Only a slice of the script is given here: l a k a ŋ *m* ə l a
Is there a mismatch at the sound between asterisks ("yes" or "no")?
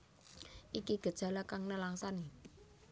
yes